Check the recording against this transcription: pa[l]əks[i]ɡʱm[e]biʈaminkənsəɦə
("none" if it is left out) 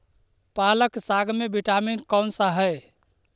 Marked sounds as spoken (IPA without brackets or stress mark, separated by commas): l, a, e